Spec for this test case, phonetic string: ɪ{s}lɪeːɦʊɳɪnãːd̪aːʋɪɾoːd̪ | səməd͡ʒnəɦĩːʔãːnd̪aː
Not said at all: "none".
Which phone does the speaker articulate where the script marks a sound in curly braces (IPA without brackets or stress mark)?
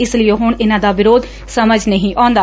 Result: s